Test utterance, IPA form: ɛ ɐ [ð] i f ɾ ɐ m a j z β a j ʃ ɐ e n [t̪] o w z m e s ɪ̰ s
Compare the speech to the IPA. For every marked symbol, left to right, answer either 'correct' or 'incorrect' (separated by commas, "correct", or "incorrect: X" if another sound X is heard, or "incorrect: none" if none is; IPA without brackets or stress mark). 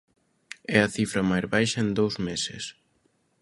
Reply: incorrect: θ, incorrect: d̪